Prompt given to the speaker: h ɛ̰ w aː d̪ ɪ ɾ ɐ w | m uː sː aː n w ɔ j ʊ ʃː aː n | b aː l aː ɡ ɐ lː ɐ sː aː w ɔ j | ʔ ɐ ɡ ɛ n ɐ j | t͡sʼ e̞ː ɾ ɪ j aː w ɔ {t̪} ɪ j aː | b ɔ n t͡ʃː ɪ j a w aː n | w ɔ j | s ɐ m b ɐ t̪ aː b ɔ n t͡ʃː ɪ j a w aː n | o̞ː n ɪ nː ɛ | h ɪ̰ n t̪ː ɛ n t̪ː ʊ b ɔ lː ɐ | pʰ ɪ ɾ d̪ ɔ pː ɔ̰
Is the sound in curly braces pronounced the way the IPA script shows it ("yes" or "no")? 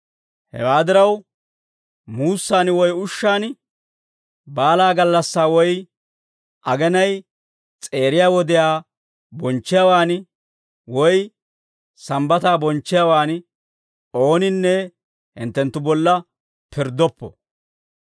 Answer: no